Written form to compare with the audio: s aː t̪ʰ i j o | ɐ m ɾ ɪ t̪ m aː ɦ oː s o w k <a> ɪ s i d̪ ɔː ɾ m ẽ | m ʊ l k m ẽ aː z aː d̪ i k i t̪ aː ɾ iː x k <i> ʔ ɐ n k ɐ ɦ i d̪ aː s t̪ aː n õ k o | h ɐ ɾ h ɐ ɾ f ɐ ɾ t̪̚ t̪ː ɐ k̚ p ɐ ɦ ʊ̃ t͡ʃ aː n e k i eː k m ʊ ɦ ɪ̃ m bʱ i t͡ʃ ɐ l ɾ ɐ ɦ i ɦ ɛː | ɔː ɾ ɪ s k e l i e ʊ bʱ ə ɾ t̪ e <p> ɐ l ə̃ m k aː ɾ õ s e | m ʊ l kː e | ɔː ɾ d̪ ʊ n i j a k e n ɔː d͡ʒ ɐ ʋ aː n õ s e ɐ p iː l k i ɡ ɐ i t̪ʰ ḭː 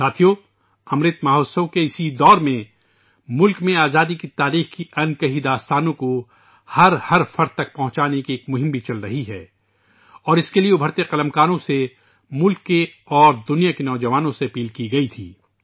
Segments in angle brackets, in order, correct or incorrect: incorrect, correct, incorrect

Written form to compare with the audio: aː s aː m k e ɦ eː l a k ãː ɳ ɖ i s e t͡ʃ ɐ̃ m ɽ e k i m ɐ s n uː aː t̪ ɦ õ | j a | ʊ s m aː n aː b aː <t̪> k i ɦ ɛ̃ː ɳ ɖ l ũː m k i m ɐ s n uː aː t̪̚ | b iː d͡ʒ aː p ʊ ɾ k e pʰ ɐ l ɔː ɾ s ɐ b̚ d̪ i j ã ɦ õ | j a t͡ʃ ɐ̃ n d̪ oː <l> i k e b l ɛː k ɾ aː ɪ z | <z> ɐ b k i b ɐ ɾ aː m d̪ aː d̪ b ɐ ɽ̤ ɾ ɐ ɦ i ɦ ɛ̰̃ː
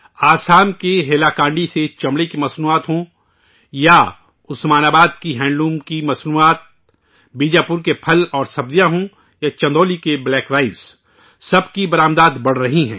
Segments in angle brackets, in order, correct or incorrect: incorrect, correct, incorrect

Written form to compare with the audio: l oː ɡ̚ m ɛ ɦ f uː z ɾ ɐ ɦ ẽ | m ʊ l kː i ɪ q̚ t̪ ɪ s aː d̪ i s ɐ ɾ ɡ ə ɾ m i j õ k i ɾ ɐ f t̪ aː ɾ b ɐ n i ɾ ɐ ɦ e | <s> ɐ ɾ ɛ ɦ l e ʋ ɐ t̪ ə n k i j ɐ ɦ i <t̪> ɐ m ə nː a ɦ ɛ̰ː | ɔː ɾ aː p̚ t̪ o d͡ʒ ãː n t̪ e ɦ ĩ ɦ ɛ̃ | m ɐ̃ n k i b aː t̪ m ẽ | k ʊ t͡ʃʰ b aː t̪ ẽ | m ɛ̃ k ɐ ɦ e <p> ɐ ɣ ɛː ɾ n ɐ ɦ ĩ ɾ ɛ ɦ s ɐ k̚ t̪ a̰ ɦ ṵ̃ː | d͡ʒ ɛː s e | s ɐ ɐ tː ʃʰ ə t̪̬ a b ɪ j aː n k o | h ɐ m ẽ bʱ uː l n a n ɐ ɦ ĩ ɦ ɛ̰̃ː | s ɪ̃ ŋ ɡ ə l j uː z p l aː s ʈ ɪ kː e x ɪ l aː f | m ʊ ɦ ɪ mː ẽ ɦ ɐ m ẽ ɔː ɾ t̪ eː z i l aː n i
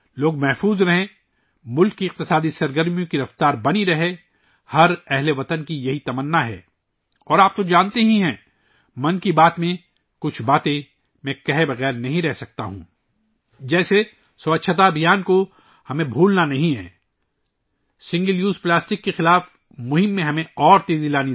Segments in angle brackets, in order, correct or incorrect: incorrect, correct, incorrect

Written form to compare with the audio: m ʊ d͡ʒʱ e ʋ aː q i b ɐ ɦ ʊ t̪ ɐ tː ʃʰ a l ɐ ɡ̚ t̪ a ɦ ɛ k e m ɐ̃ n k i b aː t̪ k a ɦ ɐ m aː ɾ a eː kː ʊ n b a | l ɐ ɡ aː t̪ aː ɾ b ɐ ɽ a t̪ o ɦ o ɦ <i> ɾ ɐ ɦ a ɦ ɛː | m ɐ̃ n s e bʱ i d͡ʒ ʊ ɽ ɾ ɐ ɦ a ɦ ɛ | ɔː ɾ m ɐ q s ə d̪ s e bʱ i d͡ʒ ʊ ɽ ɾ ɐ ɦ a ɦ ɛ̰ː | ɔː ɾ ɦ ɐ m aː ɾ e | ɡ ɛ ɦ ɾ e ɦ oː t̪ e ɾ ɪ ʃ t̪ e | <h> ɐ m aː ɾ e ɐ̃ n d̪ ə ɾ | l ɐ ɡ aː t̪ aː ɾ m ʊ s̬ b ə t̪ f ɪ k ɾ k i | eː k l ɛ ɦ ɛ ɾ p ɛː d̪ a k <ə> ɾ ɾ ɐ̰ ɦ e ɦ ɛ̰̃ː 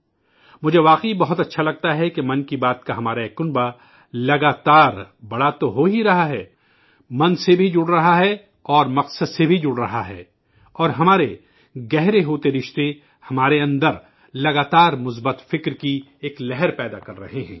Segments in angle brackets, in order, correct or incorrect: correct, correct, incorrect

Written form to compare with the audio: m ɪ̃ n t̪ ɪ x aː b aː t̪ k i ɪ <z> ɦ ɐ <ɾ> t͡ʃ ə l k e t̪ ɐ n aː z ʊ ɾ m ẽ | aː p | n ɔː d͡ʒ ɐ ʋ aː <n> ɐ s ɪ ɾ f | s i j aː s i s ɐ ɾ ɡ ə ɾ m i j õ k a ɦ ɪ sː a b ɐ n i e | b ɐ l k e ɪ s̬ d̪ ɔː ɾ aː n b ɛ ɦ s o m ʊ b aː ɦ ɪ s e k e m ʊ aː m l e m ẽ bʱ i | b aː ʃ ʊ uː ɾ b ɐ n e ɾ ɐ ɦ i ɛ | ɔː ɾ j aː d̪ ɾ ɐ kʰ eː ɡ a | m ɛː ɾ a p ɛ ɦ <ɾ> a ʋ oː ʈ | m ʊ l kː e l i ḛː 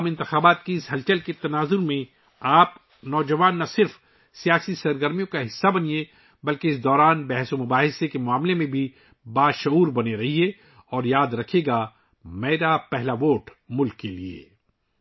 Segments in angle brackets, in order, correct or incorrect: incorrect, incorrect, incorrect, incorrect

